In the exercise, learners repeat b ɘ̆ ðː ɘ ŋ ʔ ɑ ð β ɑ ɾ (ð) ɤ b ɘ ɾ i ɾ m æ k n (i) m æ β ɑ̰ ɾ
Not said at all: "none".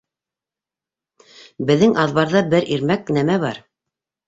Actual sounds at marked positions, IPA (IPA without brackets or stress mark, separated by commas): ð, æ